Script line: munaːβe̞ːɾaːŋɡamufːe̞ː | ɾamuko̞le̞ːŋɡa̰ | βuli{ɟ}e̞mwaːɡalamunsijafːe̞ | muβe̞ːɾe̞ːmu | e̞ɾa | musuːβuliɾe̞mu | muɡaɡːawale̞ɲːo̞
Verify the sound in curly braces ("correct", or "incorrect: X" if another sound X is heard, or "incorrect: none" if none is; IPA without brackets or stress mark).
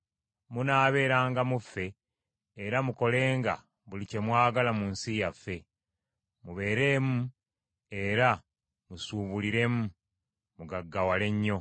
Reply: incorrect: c